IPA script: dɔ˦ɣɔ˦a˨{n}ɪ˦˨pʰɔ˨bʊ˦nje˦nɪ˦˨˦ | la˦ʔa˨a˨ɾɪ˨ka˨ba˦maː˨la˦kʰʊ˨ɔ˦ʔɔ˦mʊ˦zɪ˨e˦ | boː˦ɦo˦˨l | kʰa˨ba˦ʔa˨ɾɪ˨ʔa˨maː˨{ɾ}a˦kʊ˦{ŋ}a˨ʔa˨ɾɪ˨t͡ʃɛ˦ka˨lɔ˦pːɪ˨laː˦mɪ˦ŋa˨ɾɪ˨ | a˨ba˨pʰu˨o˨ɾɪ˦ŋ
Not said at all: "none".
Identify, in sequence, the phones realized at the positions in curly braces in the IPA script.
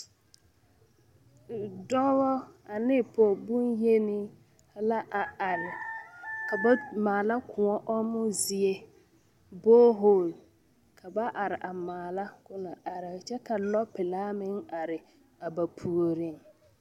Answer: n, l, n

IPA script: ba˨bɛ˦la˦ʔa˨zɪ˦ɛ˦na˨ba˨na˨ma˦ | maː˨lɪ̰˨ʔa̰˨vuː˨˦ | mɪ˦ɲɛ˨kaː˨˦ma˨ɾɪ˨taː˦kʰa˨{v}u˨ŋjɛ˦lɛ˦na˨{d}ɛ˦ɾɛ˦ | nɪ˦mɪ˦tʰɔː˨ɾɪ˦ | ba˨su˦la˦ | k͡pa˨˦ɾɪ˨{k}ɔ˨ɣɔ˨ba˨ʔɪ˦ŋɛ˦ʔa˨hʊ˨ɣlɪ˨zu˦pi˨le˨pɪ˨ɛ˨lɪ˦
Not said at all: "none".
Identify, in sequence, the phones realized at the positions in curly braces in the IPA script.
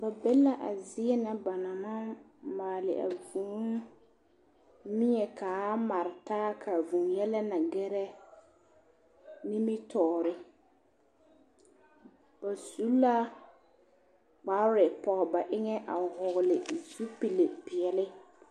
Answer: v, ɡ, p

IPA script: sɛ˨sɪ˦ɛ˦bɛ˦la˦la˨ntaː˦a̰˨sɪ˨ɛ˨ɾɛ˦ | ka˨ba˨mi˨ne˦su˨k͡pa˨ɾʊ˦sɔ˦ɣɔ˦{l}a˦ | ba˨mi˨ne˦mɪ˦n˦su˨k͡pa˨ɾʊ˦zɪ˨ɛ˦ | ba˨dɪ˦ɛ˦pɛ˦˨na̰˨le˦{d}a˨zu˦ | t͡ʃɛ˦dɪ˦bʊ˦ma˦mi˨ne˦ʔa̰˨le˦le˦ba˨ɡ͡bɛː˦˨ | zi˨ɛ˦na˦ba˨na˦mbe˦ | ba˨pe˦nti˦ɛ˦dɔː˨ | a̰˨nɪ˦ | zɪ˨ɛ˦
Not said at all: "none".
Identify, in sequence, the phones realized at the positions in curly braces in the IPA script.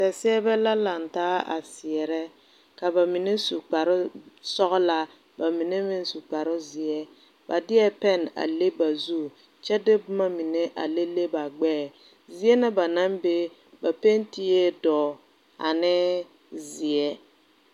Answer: l, b

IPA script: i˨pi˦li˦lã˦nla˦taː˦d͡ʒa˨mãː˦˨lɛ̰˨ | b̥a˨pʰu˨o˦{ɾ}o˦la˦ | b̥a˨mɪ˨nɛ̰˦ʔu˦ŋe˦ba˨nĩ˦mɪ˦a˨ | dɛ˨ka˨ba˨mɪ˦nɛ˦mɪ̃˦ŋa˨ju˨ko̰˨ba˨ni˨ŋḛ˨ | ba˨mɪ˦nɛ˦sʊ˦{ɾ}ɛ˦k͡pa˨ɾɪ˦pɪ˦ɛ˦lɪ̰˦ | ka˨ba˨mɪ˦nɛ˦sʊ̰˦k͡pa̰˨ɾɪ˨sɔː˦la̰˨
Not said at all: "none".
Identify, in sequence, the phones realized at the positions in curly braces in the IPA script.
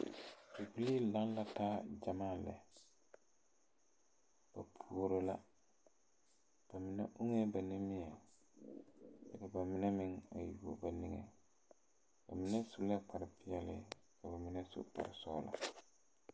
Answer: ɾ, l

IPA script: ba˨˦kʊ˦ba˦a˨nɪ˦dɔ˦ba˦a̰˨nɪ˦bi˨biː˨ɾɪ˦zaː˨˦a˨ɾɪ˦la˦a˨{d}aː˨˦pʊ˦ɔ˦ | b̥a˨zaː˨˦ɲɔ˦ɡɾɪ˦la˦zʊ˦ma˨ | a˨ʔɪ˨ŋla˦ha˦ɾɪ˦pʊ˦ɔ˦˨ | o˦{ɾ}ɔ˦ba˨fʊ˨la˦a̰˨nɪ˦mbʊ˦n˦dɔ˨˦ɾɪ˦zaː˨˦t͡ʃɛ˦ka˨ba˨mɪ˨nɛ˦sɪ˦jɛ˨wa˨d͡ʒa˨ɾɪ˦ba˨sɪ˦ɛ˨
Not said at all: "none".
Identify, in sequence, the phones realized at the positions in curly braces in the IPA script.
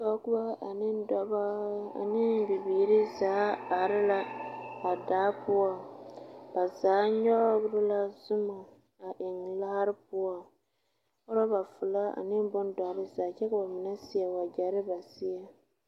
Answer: d, ɾ

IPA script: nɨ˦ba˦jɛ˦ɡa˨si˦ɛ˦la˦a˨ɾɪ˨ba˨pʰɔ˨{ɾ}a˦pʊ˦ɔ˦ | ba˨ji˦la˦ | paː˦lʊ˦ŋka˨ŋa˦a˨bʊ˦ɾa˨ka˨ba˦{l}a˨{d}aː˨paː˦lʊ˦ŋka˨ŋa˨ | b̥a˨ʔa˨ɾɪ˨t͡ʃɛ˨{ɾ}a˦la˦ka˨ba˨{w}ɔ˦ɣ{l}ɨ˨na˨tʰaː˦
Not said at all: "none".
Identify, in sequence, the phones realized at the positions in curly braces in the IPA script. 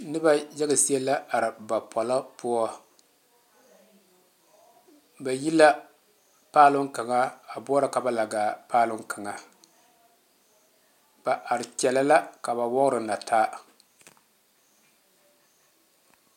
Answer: l, l, ɡ, l, w, ɾ

